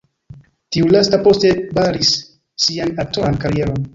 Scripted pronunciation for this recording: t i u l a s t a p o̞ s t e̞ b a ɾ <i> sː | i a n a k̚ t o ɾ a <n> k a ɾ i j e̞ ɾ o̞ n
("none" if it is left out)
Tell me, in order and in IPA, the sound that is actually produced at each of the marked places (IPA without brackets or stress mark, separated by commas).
i, n